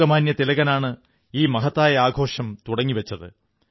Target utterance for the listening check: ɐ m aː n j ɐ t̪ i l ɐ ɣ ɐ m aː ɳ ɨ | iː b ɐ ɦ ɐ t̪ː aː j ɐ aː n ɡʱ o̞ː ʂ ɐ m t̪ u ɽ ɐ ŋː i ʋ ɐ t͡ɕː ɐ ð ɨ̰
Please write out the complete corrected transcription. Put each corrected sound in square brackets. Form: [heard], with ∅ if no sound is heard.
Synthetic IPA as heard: ɐ m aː n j ɐ t̪ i l ɐ ɣ ɐ [n] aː ɳ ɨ | iː [m] ɐ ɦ ɐ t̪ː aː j ɐ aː [∅] ɡʱ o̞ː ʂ ɐ m t̪ u ɽ ɐ ŋː i ʋ ɐ t͡ɕː ɐ ð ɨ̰